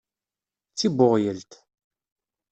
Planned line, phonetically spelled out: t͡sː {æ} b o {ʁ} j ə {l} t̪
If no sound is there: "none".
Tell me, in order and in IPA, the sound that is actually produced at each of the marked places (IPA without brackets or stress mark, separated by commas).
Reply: i, ʁ, l